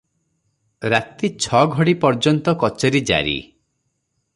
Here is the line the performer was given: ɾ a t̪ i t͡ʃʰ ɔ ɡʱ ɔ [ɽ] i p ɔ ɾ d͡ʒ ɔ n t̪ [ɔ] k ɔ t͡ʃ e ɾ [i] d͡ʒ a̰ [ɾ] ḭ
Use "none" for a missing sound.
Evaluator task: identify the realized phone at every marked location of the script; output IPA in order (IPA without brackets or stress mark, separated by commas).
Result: ɽ, ɔ, i, ɾ